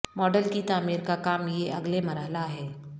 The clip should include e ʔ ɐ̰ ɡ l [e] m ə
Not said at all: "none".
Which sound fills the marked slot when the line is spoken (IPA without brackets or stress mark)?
e